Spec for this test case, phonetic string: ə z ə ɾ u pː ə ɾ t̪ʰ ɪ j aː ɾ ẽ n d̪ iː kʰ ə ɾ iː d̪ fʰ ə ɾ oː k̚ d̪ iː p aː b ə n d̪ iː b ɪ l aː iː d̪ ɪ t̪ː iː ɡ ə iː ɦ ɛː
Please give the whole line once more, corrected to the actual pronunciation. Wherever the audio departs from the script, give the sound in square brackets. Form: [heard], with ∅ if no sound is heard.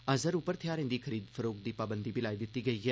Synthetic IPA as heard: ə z ə ɾ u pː ə ɾ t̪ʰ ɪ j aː ɾ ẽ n d̪ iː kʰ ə ɾ iː d̪ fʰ ə ɾ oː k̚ d̪ iː p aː b ə n d̪ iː b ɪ l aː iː d̪ ɪ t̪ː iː ɡ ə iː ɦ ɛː

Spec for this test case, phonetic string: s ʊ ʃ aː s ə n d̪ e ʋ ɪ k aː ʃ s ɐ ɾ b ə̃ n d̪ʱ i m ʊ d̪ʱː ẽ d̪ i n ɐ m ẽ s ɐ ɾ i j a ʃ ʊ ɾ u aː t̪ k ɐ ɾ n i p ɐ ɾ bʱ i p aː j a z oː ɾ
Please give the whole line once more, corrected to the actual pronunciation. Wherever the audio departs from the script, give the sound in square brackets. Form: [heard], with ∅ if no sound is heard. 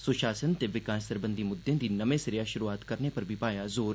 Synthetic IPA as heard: s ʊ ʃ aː s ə n [t̪] e ʋ ɪ k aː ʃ s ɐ ɾ b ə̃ n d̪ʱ i m ʊ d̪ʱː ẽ d̪ i n ɐ m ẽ s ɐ ɾ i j a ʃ ʊ ɾ u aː t̪ k ɐ ɾ n [e] p ɐ ɾ bʱ i p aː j a z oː ɾ

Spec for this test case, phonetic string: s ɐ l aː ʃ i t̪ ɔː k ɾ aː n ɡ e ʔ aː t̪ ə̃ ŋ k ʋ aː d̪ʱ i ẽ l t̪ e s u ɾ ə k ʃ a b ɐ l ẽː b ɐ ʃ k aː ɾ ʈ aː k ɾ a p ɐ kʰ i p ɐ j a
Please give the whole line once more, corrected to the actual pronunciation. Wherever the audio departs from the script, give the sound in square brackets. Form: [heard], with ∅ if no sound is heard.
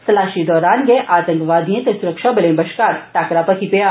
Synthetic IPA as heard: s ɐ l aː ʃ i [d̪] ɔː [∅] ɾ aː n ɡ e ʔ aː t̪ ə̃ ŋ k ʋ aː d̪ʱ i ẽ [∅] t̪ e s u ɾ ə k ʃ a b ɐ l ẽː b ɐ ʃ k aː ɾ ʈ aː k ɾ a p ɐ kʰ i p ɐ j a

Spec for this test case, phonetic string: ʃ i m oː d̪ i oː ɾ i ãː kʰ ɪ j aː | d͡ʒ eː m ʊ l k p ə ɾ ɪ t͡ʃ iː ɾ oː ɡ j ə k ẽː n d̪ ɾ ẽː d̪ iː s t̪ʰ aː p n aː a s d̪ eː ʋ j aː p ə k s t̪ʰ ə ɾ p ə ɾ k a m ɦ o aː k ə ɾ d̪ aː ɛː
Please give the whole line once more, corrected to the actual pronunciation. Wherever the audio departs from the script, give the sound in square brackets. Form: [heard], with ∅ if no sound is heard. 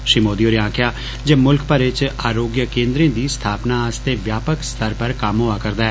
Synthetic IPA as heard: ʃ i m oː d̪ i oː ɾ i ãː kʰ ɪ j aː | d͡ʒ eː m ʊ l k p ə ɾ ɪ t͡ʃ [aː] ɾ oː ɡ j ə k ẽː n d̪ ɾ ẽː d̪ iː s t̪ʰ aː p n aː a s [t̪] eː ʋ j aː p ə k s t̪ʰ ə ɾ p ə ɾ k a m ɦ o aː k ə ɾ d̪ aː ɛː

